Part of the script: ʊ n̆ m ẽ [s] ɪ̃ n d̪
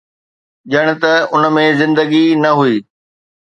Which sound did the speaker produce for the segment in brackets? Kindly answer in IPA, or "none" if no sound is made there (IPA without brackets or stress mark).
z